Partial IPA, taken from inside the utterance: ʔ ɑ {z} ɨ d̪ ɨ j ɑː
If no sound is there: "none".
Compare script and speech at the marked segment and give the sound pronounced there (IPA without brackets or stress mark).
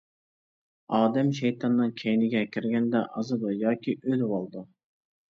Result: z